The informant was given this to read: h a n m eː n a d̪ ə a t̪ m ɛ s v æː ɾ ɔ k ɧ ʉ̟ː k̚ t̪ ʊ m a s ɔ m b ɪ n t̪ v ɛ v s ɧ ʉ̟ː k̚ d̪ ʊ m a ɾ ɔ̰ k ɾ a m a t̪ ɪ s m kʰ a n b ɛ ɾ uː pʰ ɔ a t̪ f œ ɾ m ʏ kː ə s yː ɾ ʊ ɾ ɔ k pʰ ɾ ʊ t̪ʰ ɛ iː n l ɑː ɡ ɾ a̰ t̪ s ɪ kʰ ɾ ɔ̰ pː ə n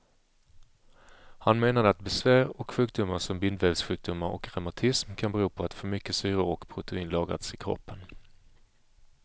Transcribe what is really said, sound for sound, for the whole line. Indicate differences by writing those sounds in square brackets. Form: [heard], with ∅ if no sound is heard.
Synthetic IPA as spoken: h a n m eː n a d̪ ə a t̪ [b] ɛ s v æː ɾ ɔ k ɧ ʉ̟ː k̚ [d̪] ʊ m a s ɔ m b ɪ n [d̪] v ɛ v s ɧ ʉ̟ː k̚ d̪ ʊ m a ɾ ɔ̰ k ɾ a m a [t̪ʰ] ɪ s m kʰ a n b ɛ ɾ uː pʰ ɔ a t̪ f œ ɾ m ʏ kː ə s yː ɾ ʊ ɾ ɔ k pʰ ɾ ʊ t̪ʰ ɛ iː n l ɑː ɡ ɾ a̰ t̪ s ɪ kʰ ɾ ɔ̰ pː ə n

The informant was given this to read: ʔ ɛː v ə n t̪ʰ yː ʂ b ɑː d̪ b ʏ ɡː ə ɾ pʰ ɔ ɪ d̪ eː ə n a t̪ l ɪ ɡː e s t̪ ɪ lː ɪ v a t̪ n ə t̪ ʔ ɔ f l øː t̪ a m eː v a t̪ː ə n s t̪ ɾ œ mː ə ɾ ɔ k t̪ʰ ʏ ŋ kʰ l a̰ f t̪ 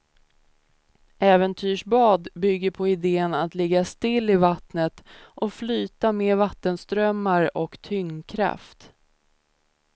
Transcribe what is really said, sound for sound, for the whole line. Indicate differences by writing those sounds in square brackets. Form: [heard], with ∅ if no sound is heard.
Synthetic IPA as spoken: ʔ ɛː v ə n t̪ʰ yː ʂ b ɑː d̪ b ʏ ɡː ə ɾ pʰ ɔ ɪ d̪ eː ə n a t̪ l ɪ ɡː [a] s t̪ ɪ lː ɪ v a t̪ n ə t̪ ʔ ɔ f l [yː] t̪ a m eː v a t̪ː ə n s t̪ ɾ œ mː [a] ɾ ɔ k t̪ʰ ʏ ŋ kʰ [ɾ] a̰ f t̪

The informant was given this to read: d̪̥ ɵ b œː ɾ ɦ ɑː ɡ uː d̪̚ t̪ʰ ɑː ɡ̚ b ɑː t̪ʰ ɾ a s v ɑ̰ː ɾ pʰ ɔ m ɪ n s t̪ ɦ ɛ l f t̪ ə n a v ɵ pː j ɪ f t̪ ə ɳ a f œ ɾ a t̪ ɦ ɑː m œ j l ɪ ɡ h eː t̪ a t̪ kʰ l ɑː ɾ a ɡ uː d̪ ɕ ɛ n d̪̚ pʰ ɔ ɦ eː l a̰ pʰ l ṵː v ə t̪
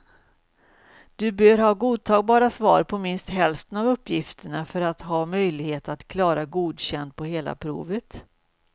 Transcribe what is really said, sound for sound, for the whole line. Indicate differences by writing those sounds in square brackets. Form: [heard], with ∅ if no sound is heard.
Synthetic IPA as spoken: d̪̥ ɵ b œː ɾ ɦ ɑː ɡ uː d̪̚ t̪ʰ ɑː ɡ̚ b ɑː [∅] ɾ a s v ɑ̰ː ɾ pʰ ɔ m ɪ n s t̪ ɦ ɛ l f t̪ ə n a v ɵ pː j ɪ f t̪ ə ɳ a f œ ɾ a t̪ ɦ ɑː m œ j l ɪ ɡ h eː t̪ a t̪ kʰ l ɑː ɾ a ɡ uː d̪ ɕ ɛ n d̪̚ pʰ ɔ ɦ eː l a̰ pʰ [ɾ] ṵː v ə t̪

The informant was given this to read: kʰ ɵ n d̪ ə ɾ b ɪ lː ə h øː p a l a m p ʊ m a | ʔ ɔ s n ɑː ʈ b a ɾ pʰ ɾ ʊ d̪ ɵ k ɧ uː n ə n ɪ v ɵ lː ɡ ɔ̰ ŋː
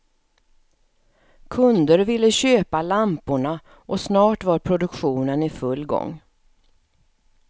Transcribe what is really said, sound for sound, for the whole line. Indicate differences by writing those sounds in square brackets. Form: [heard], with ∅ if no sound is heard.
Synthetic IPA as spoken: kʰ ɵ n d̪ ə ɾ [v] ɪ lː ə [ɕ] øː p a l a m p ʊ [ɳ] a | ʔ ɔ s n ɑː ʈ [v] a ɾ pʰ ɾ ʊ d̪ ɵ k ɧ uː n ə n ɪ [f] ɵ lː ɡ ɔ̰ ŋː

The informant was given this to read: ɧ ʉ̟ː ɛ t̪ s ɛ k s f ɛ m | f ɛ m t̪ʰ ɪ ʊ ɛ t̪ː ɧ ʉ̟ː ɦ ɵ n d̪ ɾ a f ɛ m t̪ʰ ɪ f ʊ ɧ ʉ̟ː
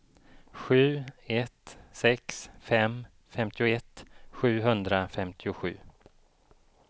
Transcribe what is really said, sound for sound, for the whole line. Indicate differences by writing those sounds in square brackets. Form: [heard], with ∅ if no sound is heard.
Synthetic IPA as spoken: ɧ ʉ̟ː ɛ t̪ s ɛ k s f ɛ m | f ɛ m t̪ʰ ɪ ʊ ɛ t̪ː ɧ ʉ̟ː ɦ ɵ n d̪ ɾ a f ɛ m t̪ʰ ɪ [∅] ʊ ɧ ʉ̟ː

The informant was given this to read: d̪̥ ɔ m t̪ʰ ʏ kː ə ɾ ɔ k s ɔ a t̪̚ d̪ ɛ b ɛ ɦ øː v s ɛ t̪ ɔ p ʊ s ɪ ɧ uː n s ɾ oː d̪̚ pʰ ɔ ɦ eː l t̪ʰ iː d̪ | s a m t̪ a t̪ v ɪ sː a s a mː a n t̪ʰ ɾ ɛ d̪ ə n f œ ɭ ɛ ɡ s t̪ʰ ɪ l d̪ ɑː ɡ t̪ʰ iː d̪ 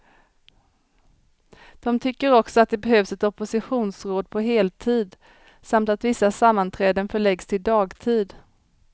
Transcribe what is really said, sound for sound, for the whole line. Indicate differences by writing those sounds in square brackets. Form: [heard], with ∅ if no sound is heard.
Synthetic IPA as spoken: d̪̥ ɔ m t̪ʰ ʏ kː ə ɾ ɔ k s ɔ a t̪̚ d̪ ɛ b ɛ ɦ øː v s ɛ t̪ ɔ p ʊ s ɪ ɧ uː n s ɾ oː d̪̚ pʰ ɔ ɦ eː l t̪ʰ iː d̪ | s a m t̪ a t̪ v ɪ sː a s a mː a n t̪ʰ ɾ [ɛː] d̪ ə n f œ ɭ ɛ ɡ s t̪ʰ ɪ l d̪ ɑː ɡ t̪ʰ iː d̪

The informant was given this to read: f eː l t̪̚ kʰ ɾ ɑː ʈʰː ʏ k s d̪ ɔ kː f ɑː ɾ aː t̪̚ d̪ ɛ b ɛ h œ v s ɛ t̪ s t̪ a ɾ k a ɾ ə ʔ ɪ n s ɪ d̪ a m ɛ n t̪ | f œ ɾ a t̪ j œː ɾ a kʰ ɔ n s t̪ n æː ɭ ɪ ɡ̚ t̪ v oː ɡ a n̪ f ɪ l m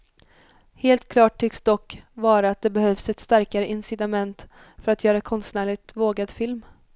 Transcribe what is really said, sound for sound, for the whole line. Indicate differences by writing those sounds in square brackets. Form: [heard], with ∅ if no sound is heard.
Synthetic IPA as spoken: [h] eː l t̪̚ kʰ [l] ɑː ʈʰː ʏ k s d̪ ɔ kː [v] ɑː ɾ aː t̪̚ d̪ ɛ b ɛ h œ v s ɛ t̪ s t̪ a ɾ k a ɾ ə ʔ ɪ n s ɪ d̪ a m ɛ n t̪ | f œ ɾ a t̪ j œː ɾ a kʰ ɔ n s t̪ n æː ɭ ɪ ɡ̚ t̪ v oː ɡ a [d̪] f ɪ l m

